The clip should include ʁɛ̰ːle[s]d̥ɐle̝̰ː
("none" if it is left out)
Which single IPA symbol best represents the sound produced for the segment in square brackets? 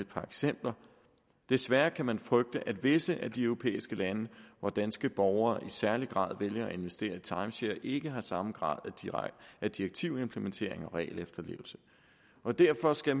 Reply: f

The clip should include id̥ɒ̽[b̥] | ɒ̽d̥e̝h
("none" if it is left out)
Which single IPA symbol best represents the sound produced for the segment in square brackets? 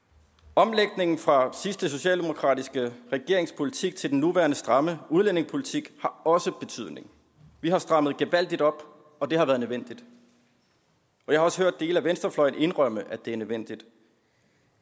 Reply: b̥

